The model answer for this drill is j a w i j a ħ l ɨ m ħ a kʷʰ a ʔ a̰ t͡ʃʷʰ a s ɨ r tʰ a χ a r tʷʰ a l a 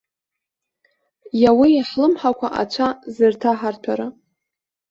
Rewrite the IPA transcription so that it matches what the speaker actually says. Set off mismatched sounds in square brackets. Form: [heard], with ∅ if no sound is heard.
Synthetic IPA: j a w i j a ħ l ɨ m ħ a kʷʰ a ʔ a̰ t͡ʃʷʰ a [z] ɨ r tʰ a [ħ] a r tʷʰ a [ɾ] a